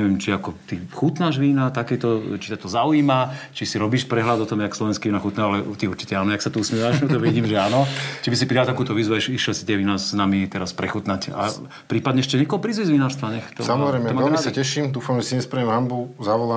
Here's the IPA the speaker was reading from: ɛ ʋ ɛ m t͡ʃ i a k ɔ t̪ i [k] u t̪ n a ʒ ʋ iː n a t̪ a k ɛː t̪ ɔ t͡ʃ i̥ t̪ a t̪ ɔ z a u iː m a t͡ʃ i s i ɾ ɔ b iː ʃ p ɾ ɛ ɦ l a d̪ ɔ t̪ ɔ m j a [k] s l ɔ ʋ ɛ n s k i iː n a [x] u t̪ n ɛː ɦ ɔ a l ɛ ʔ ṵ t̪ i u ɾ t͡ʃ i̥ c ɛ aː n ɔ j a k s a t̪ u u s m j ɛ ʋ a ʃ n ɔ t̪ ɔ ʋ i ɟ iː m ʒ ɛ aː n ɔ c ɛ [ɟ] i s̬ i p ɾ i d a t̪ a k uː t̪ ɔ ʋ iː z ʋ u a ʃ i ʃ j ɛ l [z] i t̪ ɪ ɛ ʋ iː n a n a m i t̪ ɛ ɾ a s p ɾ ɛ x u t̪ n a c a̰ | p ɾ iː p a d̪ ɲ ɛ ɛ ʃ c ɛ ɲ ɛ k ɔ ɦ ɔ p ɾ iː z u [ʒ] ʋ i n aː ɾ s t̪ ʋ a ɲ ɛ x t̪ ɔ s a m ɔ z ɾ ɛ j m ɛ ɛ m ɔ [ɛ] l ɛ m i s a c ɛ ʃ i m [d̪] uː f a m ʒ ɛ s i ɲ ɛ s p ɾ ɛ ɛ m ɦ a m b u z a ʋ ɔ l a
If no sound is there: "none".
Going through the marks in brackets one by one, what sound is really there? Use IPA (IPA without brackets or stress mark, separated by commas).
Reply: x, k, x, b, s, z, ɛ, d̪